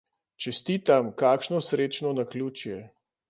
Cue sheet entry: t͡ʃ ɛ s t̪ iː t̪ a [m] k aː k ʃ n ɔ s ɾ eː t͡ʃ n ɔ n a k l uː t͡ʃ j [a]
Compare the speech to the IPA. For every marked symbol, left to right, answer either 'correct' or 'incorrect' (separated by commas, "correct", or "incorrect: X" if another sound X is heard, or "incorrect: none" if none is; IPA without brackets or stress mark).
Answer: correct, incorrect: ɛ